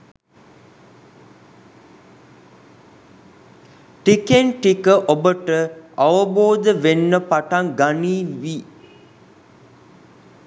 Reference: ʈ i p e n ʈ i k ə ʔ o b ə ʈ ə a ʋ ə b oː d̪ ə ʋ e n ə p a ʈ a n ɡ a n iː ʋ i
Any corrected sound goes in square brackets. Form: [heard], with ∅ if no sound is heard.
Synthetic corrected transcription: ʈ i [k] e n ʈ i k ə ʔ o b ə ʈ ə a ʋ ə b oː d̪ ə ʋ e [nː] ə p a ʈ a [ŋ] ɡ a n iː ʋ i